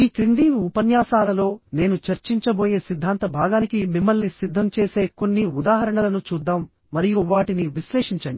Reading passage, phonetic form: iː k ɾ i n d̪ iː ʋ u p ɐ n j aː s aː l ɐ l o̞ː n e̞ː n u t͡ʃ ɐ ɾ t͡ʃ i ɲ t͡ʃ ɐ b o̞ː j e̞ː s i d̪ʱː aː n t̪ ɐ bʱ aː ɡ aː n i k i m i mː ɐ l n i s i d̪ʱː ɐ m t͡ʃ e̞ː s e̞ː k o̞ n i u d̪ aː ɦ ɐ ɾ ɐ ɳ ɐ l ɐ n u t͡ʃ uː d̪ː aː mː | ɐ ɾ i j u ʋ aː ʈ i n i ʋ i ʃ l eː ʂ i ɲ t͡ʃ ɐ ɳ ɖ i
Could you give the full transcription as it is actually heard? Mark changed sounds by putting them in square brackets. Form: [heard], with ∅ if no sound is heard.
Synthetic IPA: iː k ɾ i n d̪ iː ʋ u p ɐ n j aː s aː l ɐ l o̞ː n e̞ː n u t͡ʃ ɐ ɾ t͡ʃ i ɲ t͡ʃ ɐ b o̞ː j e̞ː s i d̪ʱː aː n t̪ ɐ bʱ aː ɡ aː n i k i m i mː ɐ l n i s i d̪ʱː ɐ m t͡ʃ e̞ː s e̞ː k o̞ [nː] i u d̪ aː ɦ ɐ ɾ ɐ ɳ ɐ l ɐ n u t͡ʃ uː d̪ː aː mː | ɐ ɾ i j u ʋ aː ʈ i n i ʋ i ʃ l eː ʂ i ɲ t͡ʃ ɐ ɳ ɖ i